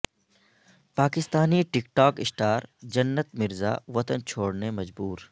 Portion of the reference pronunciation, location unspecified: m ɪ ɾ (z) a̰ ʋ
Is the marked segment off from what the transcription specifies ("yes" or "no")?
no